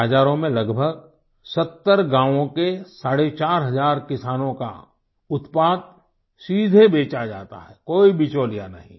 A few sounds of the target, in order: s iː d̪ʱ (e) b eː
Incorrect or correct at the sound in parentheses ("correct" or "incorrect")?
correct